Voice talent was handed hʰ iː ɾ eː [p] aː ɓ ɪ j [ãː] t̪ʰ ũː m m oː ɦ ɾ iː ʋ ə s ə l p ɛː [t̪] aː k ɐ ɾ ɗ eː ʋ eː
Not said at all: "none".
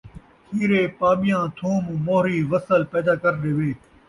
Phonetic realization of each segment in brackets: p, ãː, d̪

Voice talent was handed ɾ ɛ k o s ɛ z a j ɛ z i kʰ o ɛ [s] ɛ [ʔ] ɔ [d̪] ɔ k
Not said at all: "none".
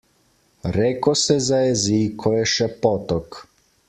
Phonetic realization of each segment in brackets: ʃ, p, t̪

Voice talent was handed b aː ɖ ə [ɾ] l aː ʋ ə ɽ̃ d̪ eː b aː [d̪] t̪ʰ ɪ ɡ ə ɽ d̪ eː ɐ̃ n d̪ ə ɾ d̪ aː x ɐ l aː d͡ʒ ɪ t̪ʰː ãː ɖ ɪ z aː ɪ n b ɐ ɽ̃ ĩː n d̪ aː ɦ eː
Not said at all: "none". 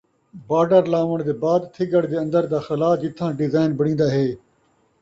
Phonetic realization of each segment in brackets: ɾ, d̪

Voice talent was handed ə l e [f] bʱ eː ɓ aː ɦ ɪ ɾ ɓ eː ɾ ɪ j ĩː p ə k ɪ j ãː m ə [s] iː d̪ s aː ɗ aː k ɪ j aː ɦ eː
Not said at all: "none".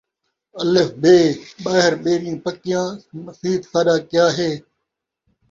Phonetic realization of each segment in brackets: f, s

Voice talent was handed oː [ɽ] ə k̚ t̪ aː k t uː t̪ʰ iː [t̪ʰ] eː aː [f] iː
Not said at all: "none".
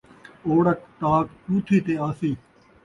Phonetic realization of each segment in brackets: ɽ, t̪, s

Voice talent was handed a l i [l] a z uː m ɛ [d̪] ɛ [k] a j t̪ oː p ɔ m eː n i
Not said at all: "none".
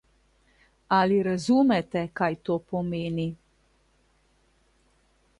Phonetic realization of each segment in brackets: ɾ, t̪, k

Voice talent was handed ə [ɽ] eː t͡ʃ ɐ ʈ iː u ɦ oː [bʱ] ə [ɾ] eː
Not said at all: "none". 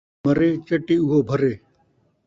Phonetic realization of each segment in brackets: ɾ, bʱ, ɾ

